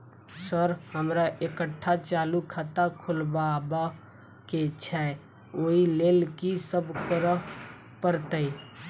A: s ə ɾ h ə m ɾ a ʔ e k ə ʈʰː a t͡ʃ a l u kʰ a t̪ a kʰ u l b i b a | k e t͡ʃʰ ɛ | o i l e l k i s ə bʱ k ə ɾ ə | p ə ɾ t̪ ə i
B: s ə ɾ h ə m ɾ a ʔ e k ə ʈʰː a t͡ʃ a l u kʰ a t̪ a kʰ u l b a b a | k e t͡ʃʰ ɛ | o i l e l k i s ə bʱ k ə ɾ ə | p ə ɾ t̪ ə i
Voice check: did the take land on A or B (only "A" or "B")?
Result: B